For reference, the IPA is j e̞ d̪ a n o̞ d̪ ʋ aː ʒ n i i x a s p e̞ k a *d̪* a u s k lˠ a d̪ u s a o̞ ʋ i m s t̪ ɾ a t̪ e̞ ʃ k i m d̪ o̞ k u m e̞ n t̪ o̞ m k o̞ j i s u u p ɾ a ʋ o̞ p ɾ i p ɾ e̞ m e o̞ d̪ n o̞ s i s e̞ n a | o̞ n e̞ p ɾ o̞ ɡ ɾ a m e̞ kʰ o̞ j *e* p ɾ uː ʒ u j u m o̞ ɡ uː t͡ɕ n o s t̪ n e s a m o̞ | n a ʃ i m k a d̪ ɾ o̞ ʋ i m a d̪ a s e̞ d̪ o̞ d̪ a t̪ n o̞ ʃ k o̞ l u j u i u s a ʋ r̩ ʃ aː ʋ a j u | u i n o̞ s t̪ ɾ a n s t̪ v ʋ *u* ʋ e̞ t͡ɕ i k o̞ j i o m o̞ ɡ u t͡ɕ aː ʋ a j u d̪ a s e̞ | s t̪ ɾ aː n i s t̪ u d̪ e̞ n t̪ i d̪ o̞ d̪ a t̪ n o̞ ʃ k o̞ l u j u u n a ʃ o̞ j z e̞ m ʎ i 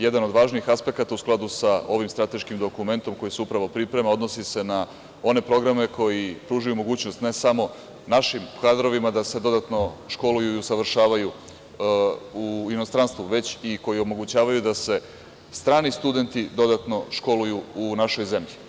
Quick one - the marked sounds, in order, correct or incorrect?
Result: incorrect: t̪, incorrect: i, correct

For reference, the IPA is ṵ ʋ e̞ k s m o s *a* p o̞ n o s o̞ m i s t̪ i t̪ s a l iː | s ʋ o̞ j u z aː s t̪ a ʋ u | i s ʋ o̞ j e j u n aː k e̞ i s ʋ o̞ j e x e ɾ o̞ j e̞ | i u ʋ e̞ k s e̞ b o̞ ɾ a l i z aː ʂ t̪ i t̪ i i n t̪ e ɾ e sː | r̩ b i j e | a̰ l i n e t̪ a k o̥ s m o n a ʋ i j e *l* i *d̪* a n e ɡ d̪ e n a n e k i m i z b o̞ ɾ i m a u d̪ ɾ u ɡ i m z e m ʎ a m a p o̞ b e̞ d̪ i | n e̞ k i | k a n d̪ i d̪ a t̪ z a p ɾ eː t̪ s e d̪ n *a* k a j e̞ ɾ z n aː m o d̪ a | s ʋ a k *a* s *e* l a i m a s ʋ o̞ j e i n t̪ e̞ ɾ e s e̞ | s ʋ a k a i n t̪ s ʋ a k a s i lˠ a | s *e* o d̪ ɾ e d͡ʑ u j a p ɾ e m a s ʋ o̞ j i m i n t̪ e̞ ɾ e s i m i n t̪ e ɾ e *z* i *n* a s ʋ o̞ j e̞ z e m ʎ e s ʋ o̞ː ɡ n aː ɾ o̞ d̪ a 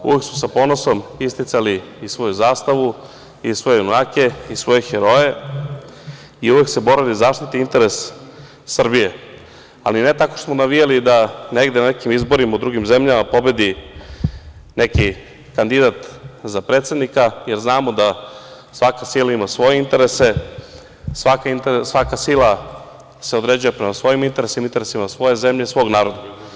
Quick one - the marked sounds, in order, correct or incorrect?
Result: correct, correct, correct, incorrect: i, correct, incorrect: i, correct, incorrect: s, incorrect: m

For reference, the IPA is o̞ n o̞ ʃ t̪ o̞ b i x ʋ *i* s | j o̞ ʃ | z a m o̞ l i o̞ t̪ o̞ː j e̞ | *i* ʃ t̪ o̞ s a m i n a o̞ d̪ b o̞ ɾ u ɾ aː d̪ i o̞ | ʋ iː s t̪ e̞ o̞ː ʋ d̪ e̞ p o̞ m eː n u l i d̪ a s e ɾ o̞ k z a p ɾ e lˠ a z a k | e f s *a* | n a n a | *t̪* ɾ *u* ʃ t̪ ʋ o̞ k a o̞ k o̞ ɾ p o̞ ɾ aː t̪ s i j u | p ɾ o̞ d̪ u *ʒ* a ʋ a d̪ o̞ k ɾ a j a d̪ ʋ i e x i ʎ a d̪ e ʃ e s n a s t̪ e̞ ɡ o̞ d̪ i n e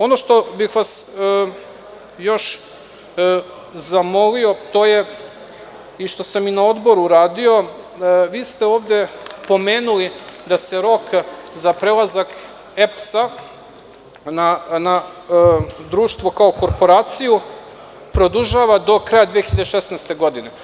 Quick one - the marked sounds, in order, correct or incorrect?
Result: incorrect: a, correct, correct, incorrect: d̪, incorrect: uː, correct

